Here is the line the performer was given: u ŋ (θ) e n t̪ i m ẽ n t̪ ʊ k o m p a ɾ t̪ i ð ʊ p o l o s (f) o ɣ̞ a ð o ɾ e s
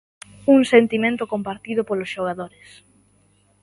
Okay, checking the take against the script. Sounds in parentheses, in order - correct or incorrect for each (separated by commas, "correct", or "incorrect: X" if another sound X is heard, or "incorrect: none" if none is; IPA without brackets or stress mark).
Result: incorrect: s, incorrect: ʃ